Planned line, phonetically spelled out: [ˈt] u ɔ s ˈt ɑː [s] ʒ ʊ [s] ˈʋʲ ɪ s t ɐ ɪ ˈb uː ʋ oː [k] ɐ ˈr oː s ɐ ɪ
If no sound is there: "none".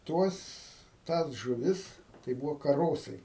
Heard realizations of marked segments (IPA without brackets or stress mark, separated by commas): t, s, none, k